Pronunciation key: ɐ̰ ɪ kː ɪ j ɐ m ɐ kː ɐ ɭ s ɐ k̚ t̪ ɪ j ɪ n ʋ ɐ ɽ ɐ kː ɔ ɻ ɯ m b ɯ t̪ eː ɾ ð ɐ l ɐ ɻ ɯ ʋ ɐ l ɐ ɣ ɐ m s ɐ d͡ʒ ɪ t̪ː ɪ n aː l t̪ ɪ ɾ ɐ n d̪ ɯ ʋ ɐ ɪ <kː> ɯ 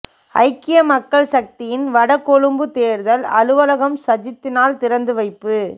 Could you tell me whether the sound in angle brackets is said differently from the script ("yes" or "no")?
yes